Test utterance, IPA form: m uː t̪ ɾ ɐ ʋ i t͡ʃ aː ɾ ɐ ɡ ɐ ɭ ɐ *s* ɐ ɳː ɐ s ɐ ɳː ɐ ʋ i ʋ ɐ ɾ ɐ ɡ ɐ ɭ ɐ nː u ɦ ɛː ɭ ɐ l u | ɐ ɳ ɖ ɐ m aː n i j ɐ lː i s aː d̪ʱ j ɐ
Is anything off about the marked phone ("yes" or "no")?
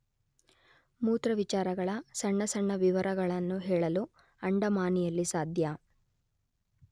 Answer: no